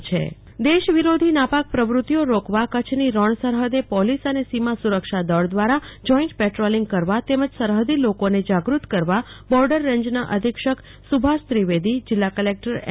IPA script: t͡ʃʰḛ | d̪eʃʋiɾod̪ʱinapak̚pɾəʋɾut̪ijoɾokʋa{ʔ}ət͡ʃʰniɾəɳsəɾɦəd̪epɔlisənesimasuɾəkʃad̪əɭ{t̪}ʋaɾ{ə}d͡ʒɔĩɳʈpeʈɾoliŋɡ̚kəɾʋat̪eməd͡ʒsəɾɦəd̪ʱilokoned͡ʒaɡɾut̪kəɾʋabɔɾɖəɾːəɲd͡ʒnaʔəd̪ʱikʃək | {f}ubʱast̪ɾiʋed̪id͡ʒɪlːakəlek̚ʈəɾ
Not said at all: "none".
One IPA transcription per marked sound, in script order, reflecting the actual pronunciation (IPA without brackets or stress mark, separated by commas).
k, d̪, a, s